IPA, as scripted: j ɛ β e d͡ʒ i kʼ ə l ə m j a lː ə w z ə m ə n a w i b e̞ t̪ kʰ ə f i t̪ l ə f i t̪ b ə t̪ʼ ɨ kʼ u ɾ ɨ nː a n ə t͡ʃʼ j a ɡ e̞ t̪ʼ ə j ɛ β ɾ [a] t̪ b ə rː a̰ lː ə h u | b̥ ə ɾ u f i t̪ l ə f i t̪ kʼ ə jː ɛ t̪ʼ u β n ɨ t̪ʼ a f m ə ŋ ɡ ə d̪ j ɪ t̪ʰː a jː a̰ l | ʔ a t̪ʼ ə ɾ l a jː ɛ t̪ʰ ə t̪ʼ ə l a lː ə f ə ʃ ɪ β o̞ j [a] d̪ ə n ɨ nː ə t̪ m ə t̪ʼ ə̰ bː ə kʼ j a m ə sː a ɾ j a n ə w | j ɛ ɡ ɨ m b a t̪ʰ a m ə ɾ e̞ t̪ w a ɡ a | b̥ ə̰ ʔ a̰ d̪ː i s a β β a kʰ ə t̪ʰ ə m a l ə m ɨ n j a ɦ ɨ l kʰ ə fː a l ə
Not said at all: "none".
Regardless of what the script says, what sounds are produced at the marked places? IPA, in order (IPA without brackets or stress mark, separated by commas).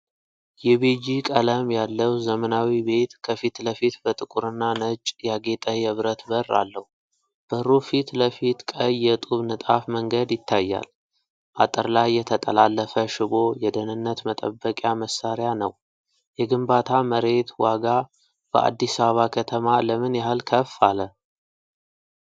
ə, ɛ